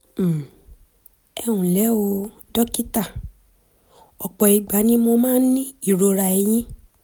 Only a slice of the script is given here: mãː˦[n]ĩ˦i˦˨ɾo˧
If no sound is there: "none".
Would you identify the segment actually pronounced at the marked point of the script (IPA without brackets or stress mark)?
n